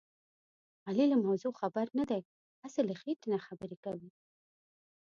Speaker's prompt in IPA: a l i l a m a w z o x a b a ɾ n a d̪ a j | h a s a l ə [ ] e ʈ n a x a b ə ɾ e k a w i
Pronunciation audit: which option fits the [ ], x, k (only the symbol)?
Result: x